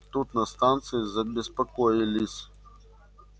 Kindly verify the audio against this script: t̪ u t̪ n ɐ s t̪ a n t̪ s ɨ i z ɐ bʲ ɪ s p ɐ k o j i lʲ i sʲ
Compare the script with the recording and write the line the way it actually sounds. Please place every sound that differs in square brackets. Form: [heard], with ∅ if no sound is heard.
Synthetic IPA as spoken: t̪ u t̪ n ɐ s t̪ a n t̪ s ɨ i z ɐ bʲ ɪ s p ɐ k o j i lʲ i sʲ